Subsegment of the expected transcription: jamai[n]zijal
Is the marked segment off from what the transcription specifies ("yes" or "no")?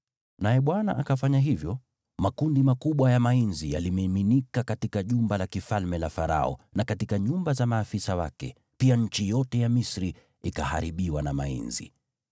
no